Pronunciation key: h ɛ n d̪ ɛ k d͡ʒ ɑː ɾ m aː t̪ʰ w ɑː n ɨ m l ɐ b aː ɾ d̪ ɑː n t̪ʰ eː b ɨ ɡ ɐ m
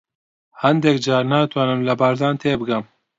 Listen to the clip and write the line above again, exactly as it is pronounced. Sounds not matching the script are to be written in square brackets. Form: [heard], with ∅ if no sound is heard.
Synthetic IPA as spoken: h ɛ n d̪ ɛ k d͡ʒ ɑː ɾ [n] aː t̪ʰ w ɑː n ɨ m l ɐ b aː ɾ d̪ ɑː n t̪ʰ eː b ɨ ɡ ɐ m